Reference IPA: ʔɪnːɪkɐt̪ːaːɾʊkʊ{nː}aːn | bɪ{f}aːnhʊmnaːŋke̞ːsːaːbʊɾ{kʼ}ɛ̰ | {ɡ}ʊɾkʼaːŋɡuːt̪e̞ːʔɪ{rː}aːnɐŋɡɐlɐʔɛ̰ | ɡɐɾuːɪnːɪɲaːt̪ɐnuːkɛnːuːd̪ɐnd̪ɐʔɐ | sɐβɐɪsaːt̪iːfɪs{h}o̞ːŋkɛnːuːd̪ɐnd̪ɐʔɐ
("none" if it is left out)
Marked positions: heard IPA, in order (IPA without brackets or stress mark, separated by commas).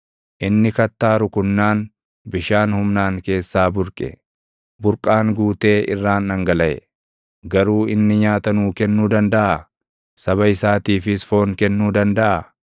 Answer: nː, ʃ, kʼ, b, rː, f